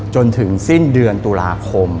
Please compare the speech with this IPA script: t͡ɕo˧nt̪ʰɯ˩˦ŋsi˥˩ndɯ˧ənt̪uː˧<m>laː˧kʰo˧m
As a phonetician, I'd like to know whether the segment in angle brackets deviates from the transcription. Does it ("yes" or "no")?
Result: yes